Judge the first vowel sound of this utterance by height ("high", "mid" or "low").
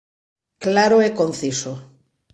low